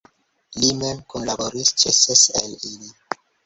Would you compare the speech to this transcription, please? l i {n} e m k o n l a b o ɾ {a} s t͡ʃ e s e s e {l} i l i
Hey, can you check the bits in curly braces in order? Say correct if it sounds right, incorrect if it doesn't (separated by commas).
incorrect, incorrect, correct